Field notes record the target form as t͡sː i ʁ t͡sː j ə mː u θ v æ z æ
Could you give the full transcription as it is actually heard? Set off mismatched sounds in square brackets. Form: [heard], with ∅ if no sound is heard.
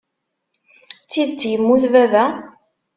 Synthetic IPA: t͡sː i [ð] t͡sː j ə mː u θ v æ [v] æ